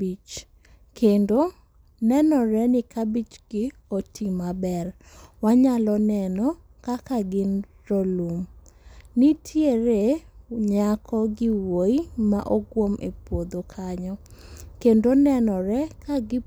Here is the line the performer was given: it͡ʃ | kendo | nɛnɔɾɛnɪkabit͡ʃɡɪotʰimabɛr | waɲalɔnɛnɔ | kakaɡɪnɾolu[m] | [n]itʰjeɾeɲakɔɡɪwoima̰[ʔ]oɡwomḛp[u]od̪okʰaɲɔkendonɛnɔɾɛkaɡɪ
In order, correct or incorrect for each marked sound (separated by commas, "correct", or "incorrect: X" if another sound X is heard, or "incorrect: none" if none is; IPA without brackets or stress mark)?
correct, correct, correct, incorrect: w